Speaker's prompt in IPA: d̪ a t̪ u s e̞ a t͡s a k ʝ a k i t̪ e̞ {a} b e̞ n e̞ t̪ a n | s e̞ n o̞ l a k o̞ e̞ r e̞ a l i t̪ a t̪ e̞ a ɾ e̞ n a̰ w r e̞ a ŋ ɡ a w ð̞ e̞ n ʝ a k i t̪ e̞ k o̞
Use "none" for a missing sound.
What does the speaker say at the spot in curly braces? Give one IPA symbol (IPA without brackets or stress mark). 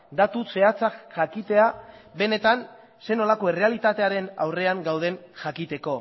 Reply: a